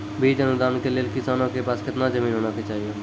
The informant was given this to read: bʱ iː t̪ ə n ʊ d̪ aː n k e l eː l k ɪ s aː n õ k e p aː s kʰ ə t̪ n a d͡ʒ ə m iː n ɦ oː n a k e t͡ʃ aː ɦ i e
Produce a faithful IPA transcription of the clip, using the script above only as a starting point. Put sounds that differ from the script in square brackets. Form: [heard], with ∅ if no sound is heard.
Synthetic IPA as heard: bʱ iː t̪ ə n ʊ d̪ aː n k e l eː l k ɪ s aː n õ k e p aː s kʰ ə t̪ n a d͡ʒ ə m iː n ɦ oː n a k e t͡ʃ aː ɦ i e

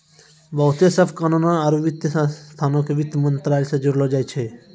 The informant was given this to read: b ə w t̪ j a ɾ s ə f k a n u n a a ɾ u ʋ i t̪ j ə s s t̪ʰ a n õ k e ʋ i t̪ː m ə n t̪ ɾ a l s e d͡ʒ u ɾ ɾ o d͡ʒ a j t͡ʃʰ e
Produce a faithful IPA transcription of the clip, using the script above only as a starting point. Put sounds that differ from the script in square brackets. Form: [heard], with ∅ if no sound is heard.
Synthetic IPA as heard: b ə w t̪ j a [∅] s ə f k a n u n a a ɾ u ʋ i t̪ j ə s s t̪ʰ a n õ k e ʋ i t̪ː m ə n t̪ ɾ a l s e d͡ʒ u ɾ [l] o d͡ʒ a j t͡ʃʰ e

